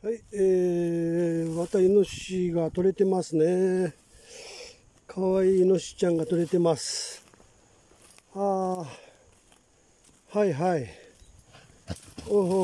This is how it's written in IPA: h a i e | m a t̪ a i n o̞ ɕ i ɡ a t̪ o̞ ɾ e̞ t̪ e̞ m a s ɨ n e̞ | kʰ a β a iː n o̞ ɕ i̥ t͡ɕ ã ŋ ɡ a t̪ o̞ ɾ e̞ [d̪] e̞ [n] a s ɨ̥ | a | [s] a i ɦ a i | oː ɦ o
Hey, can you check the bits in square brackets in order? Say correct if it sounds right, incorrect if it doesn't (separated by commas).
incorrect, incorrect, incorrect